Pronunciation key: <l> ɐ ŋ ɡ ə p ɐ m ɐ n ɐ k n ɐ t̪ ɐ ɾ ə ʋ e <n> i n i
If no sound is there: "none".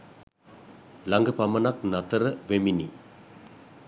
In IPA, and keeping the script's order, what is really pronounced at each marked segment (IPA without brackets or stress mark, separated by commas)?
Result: l, m